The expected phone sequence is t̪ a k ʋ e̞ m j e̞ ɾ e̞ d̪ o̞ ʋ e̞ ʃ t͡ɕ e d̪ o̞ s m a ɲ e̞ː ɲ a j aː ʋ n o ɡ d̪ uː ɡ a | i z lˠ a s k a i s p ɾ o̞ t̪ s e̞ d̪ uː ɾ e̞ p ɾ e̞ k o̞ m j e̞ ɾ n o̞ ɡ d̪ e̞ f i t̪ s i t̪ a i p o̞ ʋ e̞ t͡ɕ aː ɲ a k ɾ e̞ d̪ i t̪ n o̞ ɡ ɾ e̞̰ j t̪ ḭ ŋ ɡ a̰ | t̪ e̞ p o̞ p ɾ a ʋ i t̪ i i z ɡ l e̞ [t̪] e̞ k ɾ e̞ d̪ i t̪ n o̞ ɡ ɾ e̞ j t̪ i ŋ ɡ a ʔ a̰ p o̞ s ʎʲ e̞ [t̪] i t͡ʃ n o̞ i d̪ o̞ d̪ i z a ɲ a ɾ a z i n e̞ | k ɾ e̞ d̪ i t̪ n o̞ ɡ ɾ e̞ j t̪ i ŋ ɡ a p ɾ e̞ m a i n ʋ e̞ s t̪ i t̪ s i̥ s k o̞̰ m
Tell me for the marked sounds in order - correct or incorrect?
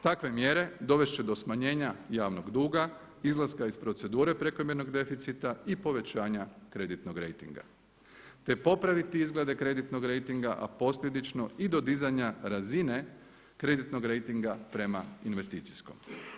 incorrect: d̪, incorrect: d̪

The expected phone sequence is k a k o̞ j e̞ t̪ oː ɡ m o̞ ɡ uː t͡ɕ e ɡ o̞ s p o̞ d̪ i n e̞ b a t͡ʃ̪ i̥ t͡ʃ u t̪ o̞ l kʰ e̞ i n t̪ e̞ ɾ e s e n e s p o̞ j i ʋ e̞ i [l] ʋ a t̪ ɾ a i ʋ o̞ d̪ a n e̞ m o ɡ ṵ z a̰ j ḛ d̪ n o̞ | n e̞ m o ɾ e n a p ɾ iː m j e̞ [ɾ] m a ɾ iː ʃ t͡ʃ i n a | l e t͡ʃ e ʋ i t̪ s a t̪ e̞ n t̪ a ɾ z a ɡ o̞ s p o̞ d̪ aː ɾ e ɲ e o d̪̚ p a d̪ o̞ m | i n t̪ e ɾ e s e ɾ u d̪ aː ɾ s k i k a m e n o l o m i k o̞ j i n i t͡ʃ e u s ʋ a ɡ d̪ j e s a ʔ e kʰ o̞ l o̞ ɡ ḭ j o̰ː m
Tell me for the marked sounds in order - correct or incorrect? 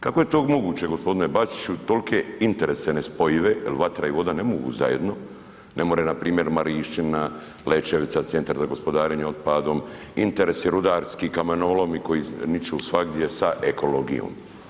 correct, correct

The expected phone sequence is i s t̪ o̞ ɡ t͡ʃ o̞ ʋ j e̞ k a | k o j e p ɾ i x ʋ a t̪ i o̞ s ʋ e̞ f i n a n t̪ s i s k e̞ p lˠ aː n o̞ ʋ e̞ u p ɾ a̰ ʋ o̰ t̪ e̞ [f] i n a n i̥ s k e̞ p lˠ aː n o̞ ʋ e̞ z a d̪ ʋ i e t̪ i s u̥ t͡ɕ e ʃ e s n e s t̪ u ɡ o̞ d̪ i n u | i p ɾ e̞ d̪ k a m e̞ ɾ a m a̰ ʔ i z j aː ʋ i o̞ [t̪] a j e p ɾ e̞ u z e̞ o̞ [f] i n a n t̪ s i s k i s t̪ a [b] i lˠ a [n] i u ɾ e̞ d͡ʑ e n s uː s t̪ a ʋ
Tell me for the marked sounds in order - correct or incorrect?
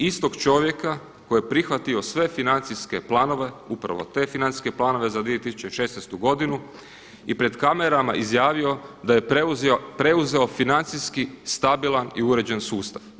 correct, incorrect: d̪, correct, correct, correct

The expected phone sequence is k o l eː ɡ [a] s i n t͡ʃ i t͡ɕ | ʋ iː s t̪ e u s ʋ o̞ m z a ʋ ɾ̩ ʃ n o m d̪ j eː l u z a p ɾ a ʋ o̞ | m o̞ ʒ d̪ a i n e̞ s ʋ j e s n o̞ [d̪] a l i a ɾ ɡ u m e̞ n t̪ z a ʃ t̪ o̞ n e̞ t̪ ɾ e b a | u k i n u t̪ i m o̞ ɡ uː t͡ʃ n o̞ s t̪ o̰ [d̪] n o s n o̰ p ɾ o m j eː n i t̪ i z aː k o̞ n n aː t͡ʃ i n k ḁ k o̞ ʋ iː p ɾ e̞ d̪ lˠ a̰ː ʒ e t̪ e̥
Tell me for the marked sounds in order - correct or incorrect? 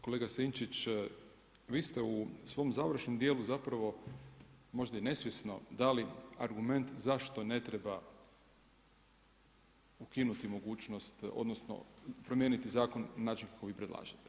correct, correct, correct

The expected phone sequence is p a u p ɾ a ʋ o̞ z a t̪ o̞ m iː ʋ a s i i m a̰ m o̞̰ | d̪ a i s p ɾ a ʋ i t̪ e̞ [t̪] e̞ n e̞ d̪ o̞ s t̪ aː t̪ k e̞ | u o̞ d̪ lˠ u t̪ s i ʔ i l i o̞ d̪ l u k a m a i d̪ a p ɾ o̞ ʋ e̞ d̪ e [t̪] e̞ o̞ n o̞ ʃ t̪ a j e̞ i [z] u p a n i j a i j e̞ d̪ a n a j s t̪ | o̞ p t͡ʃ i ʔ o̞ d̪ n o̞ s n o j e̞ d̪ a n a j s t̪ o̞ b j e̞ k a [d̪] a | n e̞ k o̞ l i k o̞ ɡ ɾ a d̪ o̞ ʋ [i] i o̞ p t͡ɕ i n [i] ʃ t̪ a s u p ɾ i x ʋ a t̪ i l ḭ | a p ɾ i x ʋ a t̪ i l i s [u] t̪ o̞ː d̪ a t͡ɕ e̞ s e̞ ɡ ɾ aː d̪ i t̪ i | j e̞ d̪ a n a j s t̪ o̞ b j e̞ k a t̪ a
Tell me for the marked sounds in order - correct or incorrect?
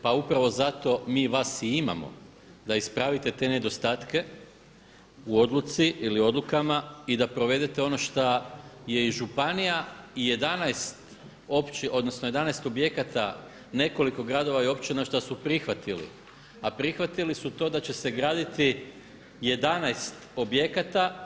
correct, correct, incorrect: ʒ, incorrect: t̪, incorrect: a, incorrect: a, correct

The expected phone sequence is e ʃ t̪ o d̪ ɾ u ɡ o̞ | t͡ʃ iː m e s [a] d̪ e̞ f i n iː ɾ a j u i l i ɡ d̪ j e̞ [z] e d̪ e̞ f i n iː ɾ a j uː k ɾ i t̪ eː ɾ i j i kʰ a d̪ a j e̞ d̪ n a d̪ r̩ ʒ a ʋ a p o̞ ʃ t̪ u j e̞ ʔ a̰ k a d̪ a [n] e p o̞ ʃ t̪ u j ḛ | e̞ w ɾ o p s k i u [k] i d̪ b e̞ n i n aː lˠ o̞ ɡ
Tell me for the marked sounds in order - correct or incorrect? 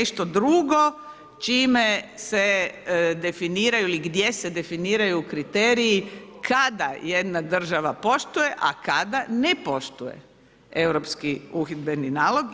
incorrect: e, incorrect: s, correct, incorrect: x

